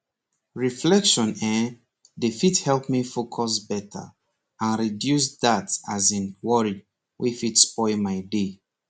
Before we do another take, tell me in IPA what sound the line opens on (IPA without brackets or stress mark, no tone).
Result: ɹ